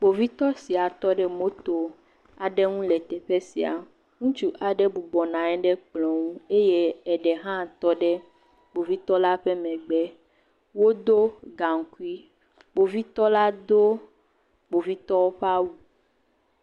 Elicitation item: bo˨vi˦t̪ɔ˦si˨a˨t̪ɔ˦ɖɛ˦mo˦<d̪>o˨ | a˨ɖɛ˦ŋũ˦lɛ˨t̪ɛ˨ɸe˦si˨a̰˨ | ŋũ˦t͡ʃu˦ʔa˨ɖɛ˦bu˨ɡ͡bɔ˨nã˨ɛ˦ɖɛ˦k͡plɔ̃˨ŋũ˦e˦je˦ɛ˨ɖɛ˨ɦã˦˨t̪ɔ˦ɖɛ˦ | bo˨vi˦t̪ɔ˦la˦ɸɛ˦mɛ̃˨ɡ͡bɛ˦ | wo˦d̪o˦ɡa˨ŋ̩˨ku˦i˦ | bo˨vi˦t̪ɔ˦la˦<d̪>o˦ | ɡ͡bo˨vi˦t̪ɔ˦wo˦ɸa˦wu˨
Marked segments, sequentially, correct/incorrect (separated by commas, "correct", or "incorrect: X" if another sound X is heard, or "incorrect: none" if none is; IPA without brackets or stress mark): incorrect: t̪, correct